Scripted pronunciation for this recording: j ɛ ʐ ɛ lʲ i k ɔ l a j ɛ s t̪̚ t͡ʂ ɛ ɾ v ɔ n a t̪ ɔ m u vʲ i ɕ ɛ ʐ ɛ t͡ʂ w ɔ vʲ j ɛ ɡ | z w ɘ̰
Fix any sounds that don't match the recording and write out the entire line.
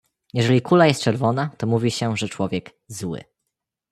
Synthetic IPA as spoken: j ɛ ʐ ɛ lʲ i k u l a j ɛ s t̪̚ t͡ʂ ɛ ɾ v ɔ n a t̪ ɔ m u vʲ i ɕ ɛ ʐ ɛ t͡ʂ w ɔ vʲ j ɛ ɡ | z w ɘ̰